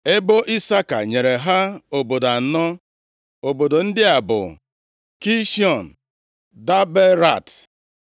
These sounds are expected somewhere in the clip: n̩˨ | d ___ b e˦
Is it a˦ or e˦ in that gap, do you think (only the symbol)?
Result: a˦